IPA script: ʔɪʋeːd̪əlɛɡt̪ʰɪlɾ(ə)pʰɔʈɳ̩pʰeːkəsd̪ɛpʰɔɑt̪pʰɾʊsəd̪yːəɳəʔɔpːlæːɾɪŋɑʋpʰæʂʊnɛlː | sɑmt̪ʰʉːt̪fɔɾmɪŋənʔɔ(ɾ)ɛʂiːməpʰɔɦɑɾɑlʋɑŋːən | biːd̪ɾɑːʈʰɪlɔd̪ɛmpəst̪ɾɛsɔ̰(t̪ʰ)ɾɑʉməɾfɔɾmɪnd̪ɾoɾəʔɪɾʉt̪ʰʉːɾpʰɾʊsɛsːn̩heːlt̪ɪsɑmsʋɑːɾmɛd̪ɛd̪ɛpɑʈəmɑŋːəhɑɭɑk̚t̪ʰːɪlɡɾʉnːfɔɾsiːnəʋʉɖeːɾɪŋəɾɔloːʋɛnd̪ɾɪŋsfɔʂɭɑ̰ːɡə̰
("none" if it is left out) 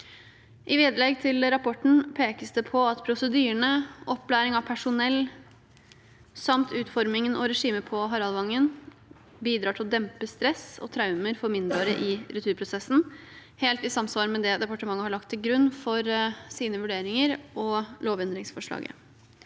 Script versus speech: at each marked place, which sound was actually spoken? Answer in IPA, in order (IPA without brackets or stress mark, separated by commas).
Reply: ɑ, ɾ, t̪ʰ